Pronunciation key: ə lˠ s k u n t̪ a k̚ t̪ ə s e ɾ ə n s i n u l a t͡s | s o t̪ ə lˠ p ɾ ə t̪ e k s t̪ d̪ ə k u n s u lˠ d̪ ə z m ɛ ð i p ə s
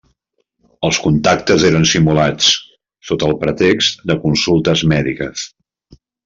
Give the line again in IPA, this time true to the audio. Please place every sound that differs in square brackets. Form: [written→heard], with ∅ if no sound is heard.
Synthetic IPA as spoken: ə lˠ s k u n t̪ a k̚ t̪ ə [s→z] e ɾ ə n s i [n→m] u l a t͡s | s o t̪ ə lˠ p ɾ ə t̪ e k s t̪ d̪ ə k u n s u lˠ [d̪→t̪] ə z m ɛ ð i [p→k] ə s